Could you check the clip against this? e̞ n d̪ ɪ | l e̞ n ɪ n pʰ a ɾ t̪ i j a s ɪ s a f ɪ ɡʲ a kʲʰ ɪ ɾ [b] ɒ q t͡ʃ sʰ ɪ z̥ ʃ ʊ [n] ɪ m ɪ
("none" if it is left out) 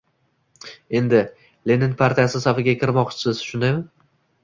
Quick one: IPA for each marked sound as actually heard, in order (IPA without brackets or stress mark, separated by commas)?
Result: m, n